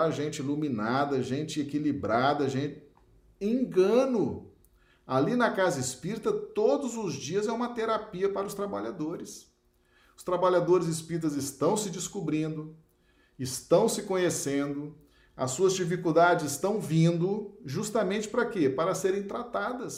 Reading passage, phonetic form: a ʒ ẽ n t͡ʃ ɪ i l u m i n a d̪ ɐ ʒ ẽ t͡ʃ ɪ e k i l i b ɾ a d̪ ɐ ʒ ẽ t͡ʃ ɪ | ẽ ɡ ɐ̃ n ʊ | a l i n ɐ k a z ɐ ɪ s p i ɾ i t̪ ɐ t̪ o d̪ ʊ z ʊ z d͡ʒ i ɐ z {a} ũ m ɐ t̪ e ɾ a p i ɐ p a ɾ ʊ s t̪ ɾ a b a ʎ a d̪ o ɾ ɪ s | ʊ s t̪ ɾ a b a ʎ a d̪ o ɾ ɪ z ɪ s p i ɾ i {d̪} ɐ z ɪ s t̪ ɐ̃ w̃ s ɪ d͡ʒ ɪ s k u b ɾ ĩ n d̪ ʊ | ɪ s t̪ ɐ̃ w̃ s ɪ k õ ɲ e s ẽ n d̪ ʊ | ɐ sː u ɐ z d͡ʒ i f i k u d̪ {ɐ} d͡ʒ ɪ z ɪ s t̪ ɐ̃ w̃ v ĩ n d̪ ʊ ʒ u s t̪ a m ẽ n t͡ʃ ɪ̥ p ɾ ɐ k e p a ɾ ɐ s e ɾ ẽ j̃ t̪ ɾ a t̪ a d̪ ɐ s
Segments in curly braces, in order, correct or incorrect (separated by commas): incorrect, incorrect, incorrect